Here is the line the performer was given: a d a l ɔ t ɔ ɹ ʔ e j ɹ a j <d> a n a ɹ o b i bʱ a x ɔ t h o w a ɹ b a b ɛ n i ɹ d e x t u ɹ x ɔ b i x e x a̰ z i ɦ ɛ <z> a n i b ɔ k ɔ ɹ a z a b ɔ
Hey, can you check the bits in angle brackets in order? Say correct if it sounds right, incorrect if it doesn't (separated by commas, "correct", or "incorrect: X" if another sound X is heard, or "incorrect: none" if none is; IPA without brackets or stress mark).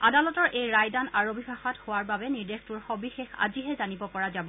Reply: correct, correct